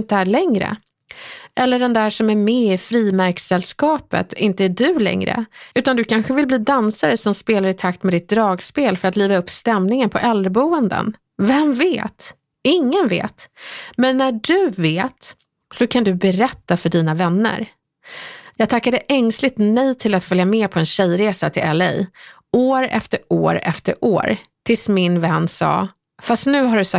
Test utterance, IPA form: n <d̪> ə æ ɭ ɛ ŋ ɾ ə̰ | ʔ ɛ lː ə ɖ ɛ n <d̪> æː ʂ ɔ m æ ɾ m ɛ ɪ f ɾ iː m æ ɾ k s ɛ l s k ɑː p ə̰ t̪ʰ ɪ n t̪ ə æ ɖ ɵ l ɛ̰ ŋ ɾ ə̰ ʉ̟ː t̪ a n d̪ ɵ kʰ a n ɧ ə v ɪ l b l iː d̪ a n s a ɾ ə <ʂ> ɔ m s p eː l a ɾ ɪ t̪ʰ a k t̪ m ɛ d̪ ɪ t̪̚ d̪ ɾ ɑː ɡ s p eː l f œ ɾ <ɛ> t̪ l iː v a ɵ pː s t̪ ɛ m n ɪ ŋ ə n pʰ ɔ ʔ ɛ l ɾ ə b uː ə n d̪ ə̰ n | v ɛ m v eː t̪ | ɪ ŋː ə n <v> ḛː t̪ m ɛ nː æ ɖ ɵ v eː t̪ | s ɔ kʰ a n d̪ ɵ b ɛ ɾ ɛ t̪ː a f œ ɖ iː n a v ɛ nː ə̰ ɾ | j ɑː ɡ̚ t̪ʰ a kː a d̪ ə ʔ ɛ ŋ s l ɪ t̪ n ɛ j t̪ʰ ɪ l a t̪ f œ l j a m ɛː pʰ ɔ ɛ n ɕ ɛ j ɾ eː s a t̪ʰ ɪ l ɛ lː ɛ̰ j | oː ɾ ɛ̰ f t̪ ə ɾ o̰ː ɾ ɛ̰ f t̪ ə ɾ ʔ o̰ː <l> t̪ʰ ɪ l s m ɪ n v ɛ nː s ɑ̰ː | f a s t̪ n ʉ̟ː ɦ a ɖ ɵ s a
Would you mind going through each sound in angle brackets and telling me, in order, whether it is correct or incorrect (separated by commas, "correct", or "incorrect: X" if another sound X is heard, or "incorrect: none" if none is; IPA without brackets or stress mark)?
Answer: incorrect: t̪, correct, incorrect: s, incorrect: a, correct, incorrect: ɾ